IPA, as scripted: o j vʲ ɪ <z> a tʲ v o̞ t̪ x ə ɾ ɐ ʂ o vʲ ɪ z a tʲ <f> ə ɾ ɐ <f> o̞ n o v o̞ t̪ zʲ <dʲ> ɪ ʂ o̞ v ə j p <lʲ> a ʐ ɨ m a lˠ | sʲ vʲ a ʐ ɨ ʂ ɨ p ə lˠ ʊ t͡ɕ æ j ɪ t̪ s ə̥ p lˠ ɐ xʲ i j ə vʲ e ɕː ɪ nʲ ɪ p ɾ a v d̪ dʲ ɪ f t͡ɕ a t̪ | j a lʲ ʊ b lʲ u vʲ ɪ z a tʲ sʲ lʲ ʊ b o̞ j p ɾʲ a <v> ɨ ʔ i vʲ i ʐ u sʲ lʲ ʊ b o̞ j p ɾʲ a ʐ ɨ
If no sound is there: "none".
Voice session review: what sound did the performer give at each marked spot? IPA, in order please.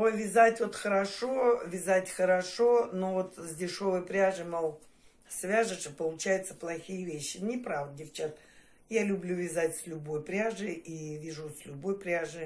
z, x, ʂ, dʲ, ɾʲ, ʐ

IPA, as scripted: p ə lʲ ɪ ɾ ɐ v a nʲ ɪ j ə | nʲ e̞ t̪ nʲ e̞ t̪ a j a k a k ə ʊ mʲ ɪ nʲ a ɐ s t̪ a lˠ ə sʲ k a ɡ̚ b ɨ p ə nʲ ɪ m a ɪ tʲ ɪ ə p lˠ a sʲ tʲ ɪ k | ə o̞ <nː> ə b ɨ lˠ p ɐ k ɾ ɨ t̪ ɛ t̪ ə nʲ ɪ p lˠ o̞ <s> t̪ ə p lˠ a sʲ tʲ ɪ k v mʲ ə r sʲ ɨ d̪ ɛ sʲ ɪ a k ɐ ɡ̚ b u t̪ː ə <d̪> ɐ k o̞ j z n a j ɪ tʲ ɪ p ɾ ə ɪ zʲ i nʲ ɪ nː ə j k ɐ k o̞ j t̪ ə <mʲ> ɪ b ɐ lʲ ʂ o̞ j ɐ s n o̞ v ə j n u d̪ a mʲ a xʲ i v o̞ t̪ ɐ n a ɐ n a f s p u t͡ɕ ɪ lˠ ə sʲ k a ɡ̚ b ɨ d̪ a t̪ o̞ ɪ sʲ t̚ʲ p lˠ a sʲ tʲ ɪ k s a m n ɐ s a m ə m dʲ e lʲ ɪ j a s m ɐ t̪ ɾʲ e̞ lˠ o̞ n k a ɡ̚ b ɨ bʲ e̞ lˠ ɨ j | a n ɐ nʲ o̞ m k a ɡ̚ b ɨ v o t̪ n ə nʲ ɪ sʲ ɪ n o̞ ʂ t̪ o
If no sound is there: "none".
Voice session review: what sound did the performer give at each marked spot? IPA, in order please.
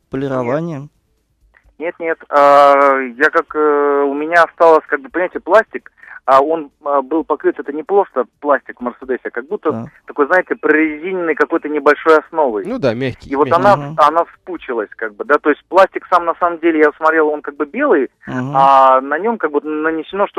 n, s, t̪, nʲ

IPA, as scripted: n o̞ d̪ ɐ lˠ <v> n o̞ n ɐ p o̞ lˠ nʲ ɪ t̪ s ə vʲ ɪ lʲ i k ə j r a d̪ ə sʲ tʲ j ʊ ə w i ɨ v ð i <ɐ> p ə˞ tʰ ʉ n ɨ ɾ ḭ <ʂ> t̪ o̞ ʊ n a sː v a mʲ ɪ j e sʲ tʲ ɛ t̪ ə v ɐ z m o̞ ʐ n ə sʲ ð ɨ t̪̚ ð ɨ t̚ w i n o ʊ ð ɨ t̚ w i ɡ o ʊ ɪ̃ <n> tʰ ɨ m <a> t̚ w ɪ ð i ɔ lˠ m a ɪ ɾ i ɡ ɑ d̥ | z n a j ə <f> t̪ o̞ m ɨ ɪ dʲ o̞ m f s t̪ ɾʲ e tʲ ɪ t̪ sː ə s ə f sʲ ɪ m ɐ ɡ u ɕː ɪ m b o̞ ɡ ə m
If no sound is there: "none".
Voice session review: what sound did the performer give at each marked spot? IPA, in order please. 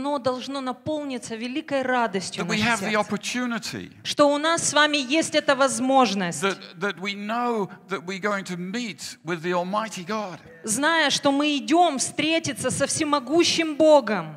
ʐ, ɑ, ʂ, ŋ, i, ʂ

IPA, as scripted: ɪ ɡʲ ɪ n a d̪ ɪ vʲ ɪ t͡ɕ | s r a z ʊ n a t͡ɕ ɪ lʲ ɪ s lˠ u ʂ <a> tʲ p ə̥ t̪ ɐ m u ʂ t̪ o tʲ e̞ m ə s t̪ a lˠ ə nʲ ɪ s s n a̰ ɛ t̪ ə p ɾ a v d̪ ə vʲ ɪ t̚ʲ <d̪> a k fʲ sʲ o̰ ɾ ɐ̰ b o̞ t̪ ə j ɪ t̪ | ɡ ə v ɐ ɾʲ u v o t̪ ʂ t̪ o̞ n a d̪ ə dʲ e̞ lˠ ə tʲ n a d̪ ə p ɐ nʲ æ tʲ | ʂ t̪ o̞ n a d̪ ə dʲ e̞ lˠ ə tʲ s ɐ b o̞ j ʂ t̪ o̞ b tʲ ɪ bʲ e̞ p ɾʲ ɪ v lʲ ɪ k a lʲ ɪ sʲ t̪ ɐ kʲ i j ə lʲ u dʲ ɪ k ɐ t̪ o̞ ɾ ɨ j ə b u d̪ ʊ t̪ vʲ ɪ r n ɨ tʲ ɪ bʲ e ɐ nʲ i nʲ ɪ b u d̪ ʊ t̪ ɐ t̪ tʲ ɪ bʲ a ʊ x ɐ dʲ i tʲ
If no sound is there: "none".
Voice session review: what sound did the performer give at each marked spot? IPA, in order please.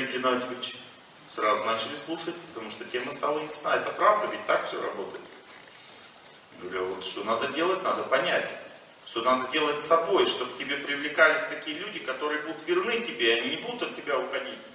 ə, t̪

